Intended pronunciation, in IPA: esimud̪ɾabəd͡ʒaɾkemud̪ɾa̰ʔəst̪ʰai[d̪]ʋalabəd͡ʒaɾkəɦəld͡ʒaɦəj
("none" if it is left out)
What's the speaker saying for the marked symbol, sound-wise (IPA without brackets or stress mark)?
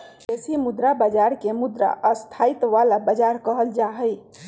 t̪